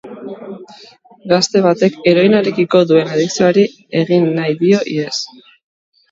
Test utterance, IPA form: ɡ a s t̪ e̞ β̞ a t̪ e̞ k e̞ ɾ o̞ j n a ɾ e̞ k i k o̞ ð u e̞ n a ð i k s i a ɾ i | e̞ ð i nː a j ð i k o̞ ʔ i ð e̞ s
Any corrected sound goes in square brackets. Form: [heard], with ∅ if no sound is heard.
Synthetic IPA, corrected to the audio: ɡ a s t̪ e̞ β̞ a t̪ e̞ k e̞ ɾ o̞ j n a ɾ e̞ k i k o̞ ð u e̞ n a ð i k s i a ɾ i | e̞ [ɣ] i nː a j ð i [∅] o̞ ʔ i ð e̞ s